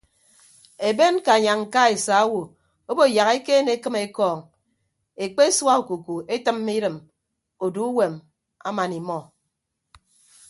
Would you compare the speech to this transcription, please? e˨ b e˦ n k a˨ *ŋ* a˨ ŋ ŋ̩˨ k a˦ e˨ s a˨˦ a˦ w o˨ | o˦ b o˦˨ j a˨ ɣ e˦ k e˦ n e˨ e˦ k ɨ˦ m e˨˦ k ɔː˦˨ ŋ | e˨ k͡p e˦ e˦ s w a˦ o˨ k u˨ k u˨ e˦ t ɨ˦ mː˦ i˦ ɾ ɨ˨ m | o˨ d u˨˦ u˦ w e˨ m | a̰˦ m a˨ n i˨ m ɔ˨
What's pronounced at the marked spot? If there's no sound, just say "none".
ɲ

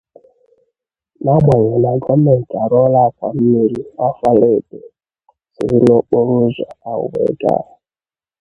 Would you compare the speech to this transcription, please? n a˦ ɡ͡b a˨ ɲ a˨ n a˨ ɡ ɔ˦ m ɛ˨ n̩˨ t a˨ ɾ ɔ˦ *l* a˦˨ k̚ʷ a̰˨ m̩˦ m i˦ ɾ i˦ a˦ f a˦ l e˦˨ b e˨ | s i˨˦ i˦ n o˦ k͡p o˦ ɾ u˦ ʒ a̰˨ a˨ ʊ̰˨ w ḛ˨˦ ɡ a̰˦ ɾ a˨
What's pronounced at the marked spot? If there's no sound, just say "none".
l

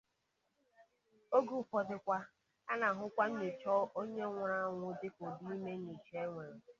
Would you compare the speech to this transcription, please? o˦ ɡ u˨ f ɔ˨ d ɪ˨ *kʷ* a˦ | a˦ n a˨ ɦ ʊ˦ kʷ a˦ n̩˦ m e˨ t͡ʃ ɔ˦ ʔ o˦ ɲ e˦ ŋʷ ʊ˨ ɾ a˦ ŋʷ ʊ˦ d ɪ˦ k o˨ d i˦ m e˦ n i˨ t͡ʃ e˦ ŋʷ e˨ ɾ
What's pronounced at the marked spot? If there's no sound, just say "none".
kʷ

